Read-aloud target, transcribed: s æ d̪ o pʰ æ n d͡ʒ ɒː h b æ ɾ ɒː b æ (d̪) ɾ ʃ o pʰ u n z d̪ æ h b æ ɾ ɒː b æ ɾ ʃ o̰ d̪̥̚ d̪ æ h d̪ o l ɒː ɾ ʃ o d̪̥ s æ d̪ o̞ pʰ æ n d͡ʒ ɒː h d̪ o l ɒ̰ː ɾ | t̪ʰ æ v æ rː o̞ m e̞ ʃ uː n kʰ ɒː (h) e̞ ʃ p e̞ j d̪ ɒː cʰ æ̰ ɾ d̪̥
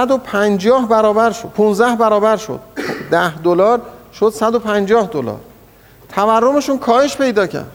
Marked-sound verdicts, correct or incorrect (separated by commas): incorrect, correct